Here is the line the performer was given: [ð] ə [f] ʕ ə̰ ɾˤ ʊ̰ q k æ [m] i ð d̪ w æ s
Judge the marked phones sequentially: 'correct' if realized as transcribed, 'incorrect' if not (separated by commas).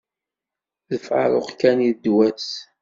correct, correct, incorrect